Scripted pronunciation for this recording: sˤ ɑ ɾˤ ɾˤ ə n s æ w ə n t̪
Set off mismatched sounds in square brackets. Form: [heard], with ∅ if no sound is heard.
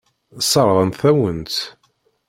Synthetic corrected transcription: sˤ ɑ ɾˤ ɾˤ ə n [θ] æ w ə n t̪